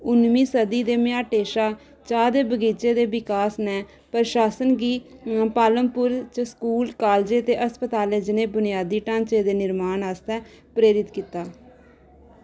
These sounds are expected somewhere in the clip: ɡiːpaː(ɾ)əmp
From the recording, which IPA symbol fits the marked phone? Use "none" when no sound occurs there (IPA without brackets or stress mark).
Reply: l